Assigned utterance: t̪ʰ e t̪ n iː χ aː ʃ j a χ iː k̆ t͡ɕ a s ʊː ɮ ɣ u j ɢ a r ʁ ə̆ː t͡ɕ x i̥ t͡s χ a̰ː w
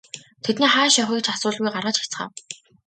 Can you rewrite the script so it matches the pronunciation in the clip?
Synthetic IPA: t̪ʰ e t̪ n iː χ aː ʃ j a χ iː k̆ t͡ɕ a s ʊː ɮ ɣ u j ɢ a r ʁ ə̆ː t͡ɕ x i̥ t͡s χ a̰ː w